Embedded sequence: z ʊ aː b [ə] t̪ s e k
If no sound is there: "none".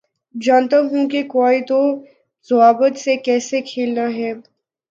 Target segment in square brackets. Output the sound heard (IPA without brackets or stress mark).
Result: ə